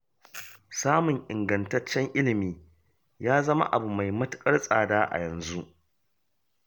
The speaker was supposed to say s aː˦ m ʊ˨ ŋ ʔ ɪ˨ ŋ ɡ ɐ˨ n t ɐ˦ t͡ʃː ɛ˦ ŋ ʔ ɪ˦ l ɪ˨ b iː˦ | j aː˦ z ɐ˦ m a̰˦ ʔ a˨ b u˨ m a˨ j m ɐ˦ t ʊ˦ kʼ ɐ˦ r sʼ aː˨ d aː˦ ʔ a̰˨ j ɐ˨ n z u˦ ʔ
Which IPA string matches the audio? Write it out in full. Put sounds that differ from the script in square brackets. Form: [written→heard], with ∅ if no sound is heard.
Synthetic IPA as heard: s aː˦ m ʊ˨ ŋ ʔ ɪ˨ ŋ ɡ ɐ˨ n t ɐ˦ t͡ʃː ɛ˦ ŋ ʔ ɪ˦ l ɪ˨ [b→m] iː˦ | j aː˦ z ɐ˦ m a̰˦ ʔ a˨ b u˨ m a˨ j m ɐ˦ t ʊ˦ kʼ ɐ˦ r sʼ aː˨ d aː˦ ʔ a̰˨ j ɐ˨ n z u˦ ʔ